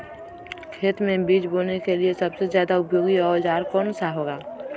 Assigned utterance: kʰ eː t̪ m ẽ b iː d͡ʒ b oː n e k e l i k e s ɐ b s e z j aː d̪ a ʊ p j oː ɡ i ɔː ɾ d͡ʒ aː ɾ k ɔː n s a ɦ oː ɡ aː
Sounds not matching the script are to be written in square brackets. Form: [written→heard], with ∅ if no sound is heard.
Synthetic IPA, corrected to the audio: kʰ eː t̪ m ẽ b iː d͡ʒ b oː n e k e l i [k→∅] e s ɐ b s e z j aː d̪ a ʊ p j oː ɡ i ɔː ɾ d͡ʒ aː ɾ k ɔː n s a ɦ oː ɡ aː